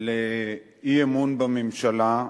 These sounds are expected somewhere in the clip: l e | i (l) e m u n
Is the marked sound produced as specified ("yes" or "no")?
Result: no